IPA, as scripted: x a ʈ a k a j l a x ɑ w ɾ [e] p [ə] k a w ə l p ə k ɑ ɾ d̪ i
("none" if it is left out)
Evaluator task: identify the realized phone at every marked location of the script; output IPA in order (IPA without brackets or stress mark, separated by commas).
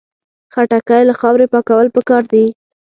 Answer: e, ɑ